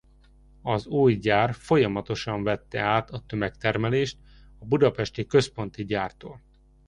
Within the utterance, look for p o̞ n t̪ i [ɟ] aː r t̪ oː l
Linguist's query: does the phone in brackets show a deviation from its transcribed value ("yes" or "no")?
no